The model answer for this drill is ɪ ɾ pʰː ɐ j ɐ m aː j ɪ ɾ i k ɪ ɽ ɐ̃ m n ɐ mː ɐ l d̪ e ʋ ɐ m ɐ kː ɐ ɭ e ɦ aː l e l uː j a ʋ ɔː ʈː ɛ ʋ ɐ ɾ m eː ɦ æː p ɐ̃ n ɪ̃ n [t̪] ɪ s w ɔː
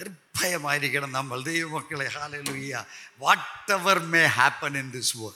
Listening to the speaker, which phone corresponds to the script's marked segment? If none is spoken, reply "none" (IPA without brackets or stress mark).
d̪